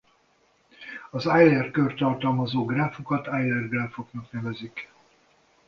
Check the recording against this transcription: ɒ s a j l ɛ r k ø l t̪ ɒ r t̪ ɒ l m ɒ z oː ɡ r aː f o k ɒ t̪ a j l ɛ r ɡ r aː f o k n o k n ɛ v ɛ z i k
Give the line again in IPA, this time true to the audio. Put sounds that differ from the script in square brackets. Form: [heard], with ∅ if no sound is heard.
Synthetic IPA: ɒ [z] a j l ɛ r k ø [r] t̪ ɒ r t̪ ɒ l m ɒ z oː ɡ r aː f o k ɒ t̪ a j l ɛ r ɡ r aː f o k n [ɒ] k n ɛ v ɛ z i k